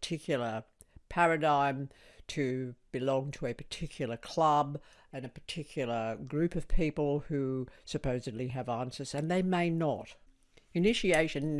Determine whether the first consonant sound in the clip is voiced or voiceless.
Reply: voiceless